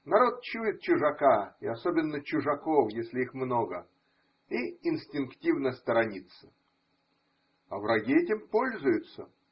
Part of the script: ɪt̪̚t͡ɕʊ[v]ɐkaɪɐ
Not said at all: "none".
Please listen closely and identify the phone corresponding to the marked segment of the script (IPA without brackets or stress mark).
ʐ